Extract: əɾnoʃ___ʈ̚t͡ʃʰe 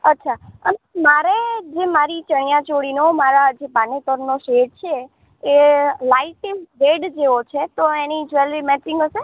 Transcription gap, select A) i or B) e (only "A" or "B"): B